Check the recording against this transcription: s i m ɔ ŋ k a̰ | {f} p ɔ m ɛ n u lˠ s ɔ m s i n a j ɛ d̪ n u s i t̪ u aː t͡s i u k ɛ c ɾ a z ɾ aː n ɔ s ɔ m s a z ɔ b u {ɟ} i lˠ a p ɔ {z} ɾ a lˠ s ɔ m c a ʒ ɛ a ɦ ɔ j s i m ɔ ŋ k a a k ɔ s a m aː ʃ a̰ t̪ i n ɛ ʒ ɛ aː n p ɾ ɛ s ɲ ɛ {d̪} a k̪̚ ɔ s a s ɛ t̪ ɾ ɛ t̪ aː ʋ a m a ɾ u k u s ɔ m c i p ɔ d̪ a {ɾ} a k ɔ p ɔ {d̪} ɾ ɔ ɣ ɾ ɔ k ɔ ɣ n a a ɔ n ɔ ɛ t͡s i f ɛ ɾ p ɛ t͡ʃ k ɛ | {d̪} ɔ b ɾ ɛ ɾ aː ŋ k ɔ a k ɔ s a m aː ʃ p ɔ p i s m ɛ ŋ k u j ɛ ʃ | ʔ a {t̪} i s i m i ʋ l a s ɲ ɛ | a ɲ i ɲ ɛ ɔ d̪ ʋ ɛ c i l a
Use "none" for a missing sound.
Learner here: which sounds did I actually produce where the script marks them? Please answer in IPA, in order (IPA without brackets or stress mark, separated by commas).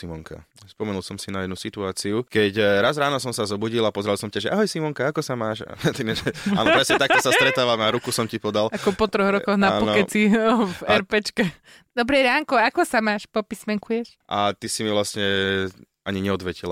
s, ɟ, z, t̪, l, t̪, d̪, t̪